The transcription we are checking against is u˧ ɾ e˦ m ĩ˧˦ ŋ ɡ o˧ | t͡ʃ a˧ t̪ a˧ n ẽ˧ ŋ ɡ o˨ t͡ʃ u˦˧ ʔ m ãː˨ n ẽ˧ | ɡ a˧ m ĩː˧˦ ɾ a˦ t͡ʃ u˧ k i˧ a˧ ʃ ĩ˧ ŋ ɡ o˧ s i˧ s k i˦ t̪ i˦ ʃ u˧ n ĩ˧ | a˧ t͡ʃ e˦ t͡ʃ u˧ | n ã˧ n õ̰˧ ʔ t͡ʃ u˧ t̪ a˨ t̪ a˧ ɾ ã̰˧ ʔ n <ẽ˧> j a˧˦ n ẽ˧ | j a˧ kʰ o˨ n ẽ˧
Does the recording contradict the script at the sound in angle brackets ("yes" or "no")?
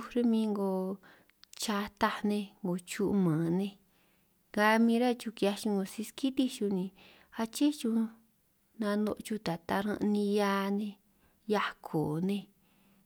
yes